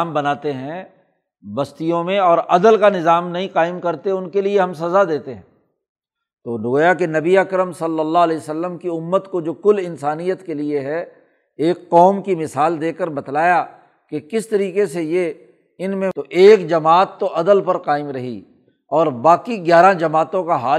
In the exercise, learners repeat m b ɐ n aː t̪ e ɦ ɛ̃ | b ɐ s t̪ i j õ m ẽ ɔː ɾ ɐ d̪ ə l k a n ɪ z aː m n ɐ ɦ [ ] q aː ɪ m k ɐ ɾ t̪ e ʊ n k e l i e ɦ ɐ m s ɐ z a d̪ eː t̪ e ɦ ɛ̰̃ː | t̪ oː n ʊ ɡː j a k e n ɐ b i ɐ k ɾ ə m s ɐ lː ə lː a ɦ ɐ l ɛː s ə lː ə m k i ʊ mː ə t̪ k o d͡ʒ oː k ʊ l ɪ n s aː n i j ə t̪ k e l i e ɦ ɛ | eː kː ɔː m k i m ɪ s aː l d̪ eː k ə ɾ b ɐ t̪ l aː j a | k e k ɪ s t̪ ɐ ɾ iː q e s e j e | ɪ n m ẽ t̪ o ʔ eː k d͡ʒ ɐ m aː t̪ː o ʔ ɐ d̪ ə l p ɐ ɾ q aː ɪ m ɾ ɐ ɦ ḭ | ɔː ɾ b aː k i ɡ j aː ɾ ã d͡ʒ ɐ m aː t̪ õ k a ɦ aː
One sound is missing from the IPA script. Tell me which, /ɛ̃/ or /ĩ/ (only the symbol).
ĩ